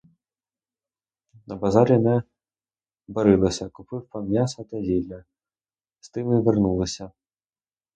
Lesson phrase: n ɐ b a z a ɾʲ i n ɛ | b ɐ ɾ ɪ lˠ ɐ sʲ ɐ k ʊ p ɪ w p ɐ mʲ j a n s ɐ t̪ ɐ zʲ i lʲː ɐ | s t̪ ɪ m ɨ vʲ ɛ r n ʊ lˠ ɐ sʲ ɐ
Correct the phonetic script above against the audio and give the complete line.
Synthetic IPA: n ɐ b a z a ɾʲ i n ɛ | b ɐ ɾ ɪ lˠ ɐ sʲ ɐ k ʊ p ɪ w p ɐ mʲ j a s ɐ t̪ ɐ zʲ i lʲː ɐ | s t̪ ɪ m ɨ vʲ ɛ r n u lˠ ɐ sʲ ɐ